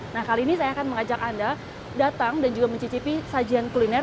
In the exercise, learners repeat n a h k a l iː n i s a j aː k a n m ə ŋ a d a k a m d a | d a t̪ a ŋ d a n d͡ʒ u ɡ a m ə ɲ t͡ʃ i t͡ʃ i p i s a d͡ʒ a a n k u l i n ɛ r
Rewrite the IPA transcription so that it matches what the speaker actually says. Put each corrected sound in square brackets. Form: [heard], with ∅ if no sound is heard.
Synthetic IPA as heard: n a h k a l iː n i s a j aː k a n m ə ŋ a [d͡ʒ] a k a [n] d a | d a t̪ a ŋ d a n d͡ʒ u ɡ a m ə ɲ t͡ʃ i t͡ʃ i p i s a d͡ʒ [i] a n k u l i n ɛ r